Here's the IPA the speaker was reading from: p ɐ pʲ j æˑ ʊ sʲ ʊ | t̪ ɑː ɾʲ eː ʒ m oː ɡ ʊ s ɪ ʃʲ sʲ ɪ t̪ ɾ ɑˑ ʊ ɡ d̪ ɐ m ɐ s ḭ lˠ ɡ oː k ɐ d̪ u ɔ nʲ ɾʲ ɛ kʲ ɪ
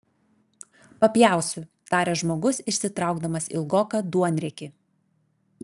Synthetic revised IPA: p ɐ pʲ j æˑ ʊ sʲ ʊ | t̪ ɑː ɾʲ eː ʒ m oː ɡ ʊ s ɪ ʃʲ sʲ ɪ t̪ ɾ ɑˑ ʊ ɡ d̪ ɐ m ɐ s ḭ lˠ ɡ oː k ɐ d̪ u ɔ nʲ ɾʲ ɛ kʲ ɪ